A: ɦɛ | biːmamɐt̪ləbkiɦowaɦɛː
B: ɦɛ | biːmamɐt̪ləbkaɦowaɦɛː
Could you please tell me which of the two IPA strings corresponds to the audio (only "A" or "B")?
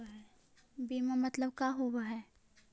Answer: B